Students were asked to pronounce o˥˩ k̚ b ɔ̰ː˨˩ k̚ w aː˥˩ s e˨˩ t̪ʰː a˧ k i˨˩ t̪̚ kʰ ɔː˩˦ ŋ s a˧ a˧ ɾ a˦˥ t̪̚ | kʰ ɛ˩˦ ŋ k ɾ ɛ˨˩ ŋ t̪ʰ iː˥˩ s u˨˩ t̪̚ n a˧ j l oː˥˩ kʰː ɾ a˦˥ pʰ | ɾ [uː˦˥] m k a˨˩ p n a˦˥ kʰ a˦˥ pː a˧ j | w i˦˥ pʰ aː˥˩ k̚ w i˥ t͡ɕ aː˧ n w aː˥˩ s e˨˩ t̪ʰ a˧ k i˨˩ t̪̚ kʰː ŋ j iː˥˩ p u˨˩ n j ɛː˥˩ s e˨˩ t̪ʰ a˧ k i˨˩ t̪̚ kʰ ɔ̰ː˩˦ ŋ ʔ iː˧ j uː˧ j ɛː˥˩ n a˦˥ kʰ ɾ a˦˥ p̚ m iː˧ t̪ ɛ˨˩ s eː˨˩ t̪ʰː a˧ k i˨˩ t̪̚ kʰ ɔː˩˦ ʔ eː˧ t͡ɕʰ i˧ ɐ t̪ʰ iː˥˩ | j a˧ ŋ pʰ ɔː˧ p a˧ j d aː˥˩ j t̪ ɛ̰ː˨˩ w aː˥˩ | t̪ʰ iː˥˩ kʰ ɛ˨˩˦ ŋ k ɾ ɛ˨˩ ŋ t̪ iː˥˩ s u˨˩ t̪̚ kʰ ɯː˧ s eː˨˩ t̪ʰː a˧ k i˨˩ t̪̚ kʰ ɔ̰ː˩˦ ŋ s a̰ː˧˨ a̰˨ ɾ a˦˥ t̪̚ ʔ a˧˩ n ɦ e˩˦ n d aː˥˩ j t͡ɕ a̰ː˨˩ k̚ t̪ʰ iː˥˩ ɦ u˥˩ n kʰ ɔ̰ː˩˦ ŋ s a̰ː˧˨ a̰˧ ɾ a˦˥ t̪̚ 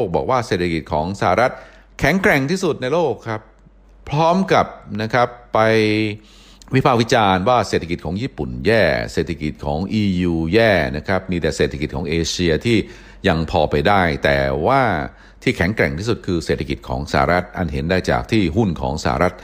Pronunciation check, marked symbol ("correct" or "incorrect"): incorrect